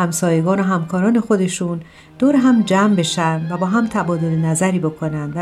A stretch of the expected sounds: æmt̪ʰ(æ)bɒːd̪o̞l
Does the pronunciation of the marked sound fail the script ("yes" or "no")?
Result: no